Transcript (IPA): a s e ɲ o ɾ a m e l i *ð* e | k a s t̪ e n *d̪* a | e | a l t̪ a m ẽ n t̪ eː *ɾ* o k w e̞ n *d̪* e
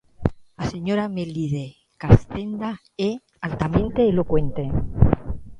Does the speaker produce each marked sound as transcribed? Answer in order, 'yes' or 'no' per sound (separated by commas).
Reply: yes, yes, no, no